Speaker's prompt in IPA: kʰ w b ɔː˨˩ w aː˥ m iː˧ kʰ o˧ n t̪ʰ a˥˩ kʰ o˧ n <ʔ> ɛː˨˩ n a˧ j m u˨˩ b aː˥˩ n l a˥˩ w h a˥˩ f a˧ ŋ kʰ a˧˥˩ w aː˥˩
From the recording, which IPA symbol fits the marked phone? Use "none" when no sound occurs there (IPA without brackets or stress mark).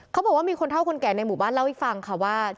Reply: k